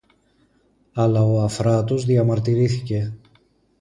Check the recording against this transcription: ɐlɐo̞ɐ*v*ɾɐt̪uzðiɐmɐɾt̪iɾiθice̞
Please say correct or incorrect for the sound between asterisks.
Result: incorrect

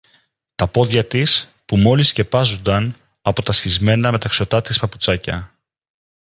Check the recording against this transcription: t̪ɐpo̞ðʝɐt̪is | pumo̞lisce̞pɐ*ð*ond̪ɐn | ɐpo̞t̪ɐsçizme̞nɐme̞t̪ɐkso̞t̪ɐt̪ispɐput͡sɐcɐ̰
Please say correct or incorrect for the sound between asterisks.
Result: incorrect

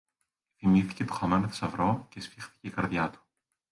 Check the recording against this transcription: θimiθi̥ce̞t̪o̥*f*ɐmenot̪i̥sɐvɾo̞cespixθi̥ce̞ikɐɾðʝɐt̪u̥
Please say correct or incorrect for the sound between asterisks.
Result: incorrect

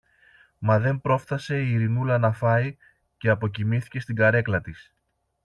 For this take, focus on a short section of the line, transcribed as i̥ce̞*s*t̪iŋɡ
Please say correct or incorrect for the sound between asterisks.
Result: correct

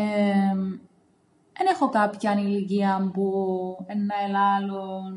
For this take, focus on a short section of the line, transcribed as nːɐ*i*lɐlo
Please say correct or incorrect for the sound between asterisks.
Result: incorrect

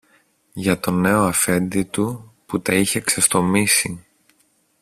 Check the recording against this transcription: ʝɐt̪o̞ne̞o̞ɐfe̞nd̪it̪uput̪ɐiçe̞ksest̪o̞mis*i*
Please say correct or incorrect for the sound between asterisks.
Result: correct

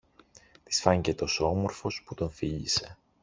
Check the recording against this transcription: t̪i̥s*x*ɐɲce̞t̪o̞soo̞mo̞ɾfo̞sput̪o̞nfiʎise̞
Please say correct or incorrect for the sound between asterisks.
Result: incorrect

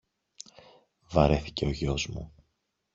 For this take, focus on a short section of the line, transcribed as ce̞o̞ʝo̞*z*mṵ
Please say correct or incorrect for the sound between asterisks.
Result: correct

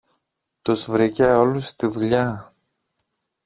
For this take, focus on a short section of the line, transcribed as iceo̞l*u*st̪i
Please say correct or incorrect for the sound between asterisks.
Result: correct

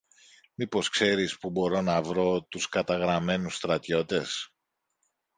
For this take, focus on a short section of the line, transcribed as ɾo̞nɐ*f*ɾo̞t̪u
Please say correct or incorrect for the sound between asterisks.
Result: incorrect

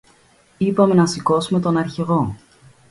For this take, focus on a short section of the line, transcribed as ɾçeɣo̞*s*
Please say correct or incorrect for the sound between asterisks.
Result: incorrect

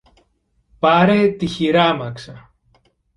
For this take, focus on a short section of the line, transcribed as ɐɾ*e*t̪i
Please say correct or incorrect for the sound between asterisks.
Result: correct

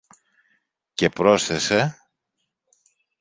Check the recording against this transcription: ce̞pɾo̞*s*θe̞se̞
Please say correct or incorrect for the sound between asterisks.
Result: correct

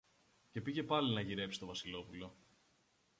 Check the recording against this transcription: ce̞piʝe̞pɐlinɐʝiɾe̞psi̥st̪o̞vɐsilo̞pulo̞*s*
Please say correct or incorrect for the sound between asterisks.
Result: incorrect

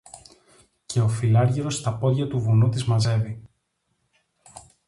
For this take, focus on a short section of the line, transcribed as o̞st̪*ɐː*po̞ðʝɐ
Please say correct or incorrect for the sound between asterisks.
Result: incorrect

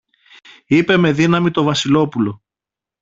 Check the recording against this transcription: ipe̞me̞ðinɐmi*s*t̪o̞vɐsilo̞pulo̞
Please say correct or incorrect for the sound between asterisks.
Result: incorrect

